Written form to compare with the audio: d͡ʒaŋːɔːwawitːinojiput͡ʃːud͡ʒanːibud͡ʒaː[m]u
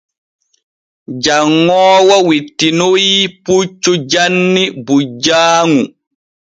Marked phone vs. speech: incorrect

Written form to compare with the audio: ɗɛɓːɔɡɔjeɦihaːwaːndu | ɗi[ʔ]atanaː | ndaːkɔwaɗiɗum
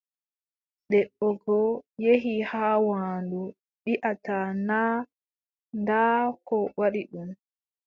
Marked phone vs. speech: correct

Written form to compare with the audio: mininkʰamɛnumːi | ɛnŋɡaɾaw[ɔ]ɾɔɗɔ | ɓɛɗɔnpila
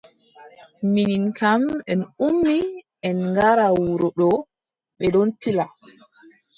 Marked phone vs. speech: incorrect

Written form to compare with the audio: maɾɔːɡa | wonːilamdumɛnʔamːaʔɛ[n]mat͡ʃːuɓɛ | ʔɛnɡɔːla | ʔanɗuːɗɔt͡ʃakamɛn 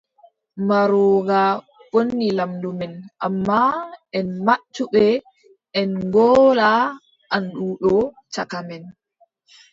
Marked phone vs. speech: correct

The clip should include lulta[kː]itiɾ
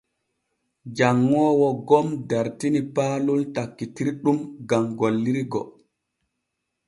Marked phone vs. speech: correct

